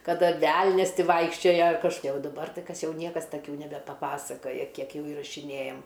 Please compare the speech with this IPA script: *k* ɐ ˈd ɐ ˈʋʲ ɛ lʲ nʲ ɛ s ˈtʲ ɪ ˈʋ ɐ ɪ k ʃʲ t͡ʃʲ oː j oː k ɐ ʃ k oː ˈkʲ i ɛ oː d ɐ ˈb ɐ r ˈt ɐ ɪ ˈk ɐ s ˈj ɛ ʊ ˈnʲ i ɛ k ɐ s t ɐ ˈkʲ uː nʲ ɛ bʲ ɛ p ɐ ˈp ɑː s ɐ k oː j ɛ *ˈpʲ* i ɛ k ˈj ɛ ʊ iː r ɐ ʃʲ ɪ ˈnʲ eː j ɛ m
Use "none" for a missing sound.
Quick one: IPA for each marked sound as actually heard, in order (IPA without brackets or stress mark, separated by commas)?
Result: k, kʲ